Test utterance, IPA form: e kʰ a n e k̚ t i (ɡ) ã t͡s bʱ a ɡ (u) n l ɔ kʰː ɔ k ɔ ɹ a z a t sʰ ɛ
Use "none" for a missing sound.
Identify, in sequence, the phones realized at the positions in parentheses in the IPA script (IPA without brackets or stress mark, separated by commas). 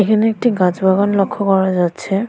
ɡ, ɔ